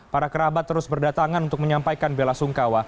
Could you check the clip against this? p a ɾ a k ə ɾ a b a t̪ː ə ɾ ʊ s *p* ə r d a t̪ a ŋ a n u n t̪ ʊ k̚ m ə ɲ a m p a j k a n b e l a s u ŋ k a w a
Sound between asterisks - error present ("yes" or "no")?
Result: yes